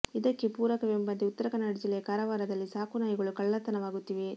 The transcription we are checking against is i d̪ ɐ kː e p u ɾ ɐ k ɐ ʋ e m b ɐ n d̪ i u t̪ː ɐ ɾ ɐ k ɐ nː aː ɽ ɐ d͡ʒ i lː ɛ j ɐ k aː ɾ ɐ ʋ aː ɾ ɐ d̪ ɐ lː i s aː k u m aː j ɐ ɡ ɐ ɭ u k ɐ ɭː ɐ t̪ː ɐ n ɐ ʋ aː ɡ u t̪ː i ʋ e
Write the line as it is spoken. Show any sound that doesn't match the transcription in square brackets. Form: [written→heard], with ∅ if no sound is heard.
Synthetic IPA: i d̪ ɐ kː e p [u→uː] ɾ ɐ k ɐ ʋ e m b ɐ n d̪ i u t̪ː ɐ ɾ ɐ k ɐ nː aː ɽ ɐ d͡ʒ i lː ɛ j ɐ k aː ɾ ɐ ʋ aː ɾ ɐ d̪ ɐ lː i s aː k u [m→n] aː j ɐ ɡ ɐ ɭ u k ɐ ɭː ɐ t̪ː ɐ n ɐ ʋ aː ɡ u t̪ː i ʋ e